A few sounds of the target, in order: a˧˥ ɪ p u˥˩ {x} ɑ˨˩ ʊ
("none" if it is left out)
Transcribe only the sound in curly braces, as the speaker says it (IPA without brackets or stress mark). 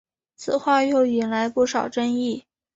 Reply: ʂ